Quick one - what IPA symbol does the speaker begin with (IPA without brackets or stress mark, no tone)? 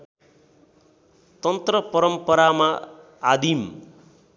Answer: t̪